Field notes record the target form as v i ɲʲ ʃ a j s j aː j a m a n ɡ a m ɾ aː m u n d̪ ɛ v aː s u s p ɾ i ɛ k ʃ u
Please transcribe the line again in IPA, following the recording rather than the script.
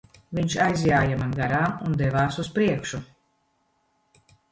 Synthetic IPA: v i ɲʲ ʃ a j z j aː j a m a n ɡ a ɾ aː m u n d̪ ɛ v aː s u s p ɾ i ɛ k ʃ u